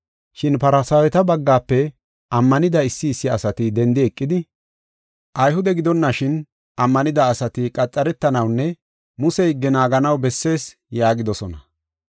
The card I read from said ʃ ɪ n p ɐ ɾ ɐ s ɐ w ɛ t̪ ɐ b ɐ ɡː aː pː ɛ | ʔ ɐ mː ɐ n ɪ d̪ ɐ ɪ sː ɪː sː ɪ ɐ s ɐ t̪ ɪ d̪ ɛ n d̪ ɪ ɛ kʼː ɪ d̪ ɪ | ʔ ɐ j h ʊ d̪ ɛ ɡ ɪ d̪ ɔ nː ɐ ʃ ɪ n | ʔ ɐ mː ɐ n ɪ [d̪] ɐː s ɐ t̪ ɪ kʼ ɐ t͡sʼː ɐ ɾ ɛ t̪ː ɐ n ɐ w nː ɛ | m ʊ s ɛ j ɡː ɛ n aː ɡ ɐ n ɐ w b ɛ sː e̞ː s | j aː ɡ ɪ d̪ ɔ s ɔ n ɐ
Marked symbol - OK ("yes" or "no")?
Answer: yes